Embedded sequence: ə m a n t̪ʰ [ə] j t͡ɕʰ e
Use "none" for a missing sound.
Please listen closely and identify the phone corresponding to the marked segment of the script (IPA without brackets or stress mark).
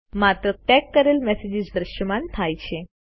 a